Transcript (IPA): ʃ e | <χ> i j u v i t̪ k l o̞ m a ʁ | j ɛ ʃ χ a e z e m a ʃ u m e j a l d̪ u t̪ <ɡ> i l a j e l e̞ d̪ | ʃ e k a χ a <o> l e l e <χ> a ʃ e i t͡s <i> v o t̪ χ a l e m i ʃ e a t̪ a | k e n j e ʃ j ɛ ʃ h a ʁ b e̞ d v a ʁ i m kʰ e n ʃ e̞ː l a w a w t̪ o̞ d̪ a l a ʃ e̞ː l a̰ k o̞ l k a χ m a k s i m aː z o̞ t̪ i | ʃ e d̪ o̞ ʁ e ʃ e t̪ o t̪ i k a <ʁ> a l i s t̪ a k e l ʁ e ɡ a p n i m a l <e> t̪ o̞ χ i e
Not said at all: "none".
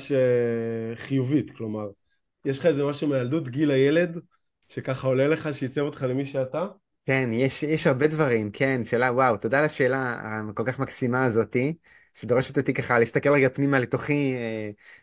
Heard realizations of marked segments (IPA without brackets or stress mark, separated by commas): χ, ɡ, o, χ, e, χ, e